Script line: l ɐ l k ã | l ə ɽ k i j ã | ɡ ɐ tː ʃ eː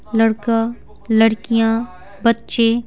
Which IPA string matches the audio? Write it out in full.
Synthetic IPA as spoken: l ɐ ɽ k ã | l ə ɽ k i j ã | b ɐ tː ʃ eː